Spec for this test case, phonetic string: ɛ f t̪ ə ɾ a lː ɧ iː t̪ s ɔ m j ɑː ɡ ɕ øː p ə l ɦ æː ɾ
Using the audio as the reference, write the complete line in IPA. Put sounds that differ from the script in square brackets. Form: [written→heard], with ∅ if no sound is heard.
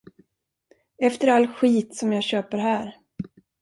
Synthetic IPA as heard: ɛ f t̪ ə ɾ a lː ɧ iː t̪ s ɔ m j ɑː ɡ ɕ øː p ə [l→ɾ] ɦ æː ɾ